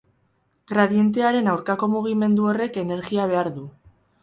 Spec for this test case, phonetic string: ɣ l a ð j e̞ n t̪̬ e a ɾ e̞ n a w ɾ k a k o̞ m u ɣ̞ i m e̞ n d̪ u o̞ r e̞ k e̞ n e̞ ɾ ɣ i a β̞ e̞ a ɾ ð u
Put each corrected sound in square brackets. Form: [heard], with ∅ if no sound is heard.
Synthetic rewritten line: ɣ [ɾ] a ð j e̞ n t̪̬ e a ɾ e̞ n a w ɾ k a k o̞ m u ɣ̞ i m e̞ n d̪ u o̞ r e̞ k e̞ n e̞ ɾ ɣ i a β̞ e̞ a ɾ ð u